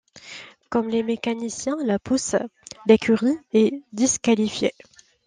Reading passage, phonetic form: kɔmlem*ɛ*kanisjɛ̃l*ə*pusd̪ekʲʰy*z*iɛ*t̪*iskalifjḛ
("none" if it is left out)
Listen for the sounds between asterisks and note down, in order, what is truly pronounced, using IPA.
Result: e, a, ʁ, d̪

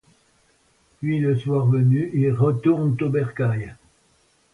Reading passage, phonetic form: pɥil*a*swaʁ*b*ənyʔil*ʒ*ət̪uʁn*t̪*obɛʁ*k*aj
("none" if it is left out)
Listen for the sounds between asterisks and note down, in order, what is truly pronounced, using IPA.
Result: ə, v, ʁ, t̪, k

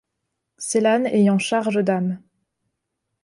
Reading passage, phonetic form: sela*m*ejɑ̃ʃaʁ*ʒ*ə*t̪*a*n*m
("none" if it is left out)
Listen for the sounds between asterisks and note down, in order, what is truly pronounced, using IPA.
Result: n, ʒ, d̪, none

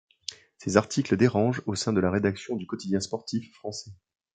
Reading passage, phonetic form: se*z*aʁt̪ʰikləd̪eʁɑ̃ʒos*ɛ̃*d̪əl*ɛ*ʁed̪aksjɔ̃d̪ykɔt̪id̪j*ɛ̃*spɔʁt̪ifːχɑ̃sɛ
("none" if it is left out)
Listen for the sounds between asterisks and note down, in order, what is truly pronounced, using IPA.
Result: z, ɛ̃, a, ɛ̃

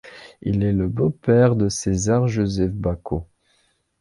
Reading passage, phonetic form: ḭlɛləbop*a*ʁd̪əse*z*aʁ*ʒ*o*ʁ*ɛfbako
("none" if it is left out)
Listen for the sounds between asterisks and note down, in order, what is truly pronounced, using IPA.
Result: ɛ, z, ʒ, z

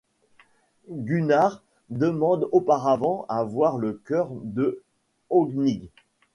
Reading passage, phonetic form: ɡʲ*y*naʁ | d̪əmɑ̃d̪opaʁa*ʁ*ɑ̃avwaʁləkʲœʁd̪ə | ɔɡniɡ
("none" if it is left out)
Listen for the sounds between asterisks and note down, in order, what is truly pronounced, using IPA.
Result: y, v

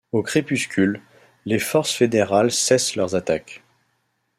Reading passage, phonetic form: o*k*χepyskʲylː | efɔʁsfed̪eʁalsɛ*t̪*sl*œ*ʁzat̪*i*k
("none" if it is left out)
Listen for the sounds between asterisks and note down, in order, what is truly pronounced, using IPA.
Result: k, none, œ, a

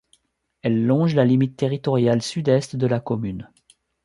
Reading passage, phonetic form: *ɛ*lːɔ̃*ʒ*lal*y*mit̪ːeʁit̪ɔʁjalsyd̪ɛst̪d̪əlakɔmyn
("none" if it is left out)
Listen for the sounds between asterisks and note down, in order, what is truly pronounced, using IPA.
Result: ɛ, ʒ, i

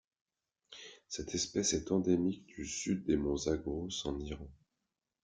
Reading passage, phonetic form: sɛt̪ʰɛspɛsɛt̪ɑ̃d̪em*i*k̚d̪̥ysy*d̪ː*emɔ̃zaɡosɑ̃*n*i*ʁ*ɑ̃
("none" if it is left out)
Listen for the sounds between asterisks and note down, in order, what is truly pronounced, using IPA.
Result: i, d̪ː, n, ʁ

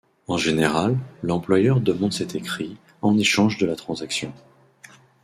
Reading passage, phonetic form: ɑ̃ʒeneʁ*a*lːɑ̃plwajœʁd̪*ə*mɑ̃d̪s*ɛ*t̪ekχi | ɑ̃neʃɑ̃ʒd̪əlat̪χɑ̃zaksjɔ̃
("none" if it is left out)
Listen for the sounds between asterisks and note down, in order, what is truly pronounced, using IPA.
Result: a, ə, ɛ

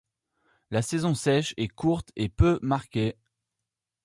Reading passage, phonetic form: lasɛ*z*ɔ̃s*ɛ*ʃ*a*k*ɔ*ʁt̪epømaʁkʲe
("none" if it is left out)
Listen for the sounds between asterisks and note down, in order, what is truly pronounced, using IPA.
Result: z, ɛ, ɛ, u

